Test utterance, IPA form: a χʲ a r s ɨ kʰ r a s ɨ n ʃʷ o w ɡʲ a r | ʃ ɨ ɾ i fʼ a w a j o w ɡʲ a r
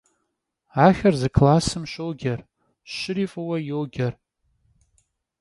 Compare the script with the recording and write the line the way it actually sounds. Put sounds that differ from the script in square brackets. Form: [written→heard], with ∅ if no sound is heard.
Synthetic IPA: a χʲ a r [s→z] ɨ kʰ [r→l] a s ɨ [n→m] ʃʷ o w ɡʲ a r | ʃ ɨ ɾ i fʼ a w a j o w ɡʲ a r

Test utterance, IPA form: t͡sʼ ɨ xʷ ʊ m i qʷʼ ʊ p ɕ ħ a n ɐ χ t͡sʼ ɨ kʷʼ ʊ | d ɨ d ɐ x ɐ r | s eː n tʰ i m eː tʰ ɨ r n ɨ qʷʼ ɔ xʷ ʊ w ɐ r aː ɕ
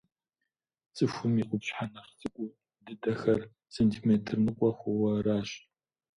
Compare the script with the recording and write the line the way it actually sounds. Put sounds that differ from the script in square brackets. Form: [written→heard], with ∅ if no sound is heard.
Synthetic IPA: t͡sʼ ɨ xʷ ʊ m i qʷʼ ʊ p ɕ ħ a n ɐ χ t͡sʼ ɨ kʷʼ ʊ | d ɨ d ɐ x ɐ r | s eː n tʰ i m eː tʰ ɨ r n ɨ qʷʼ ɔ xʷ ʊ w ɐ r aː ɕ

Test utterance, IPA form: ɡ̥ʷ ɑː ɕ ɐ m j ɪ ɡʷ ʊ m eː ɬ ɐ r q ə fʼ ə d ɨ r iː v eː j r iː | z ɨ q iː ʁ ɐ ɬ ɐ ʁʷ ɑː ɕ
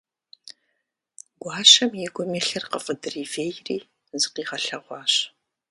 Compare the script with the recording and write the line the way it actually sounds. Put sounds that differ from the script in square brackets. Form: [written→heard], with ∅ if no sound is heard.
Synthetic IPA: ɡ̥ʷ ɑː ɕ ɐ m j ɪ ɡʷ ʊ m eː ɬ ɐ r q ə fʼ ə d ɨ r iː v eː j r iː | z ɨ q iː ʁ ɐ ɬ ɐ ʁʷ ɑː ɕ

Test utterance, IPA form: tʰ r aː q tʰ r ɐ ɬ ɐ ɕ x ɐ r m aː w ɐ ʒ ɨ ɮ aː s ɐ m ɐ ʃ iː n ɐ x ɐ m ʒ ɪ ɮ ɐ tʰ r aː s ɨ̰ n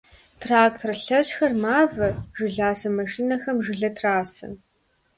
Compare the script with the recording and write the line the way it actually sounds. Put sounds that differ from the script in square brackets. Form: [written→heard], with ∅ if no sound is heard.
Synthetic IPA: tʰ r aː [q→k] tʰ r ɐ ɬ ɐ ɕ x ɐ r m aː [w→v] ɐ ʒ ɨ ɮ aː s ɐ m ɐ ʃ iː n ɐ x ɐ m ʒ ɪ ɮ ɐ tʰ r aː s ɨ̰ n

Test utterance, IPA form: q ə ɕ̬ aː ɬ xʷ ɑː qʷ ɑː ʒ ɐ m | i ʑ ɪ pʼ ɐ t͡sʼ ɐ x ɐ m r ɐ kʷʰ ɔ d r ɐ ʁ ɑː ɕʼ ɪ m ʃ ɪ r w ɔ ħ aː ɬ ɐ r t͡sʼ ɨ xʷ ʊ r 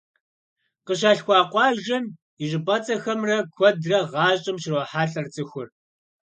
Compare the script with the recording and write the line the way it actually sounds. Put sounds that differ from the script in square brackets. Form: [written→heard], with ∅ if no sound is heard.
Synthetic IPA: q ə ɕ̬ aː ɬ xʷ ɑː qʷ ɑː ʒ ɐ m | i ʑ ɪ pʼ ɐ t͡sʼ ɐ x ɐ m r ɐ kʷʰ ɔ d r ɐ ʁ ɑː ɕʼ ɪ m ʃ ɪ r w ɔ ħ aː ɬ ɐ r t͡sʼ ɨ xʷ ʊ r

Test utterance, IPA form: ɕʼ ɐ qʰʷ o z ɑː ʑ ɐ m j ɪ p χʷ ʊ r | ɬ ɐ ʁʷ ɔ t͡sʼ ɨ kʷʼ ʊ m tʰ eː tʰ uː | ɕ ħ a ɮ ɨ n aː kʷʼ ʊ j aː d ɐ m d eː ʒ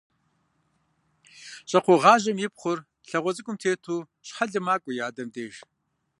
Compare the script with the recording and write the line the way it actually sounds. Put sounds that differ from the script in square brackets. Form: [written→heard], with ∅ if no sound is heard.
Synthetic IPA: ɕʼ ɐ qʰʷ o [z→ʁ] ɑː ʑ ɐ m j ɪ p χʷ ʊ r | ɬ ɐ ʁʷ ɔ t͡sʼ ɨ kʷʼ ʊ m tʰ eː tʰ uː | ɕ ħ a ɮ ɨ [n→m] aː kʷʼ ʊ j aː d ɐ m d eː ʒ

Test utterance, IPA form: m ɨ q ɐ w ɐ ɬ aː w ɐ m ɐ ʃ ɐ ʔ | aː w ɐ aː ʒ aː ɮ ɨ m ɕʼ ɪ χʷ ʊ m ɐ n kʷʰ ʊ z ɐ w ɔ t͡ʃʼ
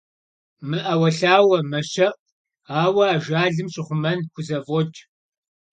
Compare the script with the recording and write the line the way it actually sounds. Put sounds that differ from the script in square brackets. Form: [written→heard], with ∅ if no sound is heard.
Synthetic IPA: m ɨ [q→ʔ] ɐ w ɐ ɬ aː w ɐ m ɐ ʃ ɐ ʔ | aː w ɐ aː ʒ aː ɮ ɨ m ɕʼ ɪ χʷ ʊ m ɐ n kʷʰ ʊ z ɐ [w→v] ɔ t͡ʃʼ

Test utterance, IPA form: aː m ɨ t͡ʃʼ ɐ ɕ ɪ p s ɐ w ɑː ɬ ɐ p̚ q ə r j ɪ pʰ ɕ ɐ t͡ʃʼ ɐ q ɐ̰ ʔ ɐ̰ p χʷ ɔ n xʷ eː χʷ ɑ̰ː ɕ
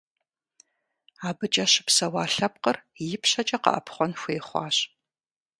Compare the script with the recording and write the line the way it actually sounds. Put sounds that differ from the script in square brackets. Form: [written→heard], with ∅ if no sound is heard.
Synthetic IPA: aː [m→b] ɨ t͡ʃʼ ɐ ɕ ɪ p s ɐ w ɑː ɬ ɐ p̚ q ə r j ɪ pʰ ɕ ɐ t͡ʃʼ ɐ q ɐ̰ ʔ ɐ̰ p χʷ ɔ n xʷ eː χʷ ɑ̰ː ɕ

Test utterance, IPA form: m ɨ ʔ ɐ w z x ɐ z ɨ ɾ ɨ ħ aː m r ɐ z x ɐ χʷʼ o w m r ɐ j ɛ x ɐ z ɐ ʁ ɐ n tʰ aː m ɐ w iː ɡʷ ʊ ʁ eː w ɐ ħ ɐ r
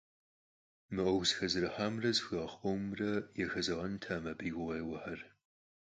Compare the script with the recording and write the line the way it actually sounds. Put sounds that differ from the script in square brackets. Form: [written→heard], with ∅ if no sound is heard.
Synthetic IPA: m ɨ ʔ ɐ w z x ɐ z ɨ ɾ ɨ ħ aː m r ɐ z x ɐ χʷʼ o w m r ɐ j ɛ x ɐ z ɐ ʁ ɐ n tʰ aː m ɐ [w→b] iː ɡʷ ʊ ʁ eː w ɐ ħ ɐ r

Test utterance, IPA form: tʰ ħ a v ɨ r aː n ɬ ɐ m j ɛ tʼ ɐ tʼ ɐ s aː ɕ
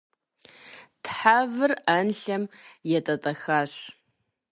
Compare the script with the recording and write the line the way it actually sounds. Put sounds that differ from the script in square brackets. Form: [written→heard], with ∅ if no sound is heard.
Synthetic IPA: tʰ ħ a v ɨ r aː n ɬ ɐ m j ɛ tʼ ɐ tʼ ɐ [s→x] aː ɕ

